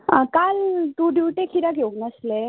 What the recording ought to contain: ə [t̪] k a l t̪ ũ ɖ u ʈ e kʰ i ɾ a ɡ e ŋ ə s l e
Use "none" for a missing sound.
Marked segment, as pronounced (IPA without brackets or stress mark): none